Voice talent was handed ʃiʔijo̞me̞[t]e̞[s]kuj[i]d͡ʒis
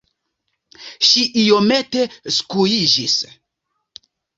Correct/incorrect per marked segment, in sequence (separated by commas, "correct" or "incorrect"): correct, correct, correct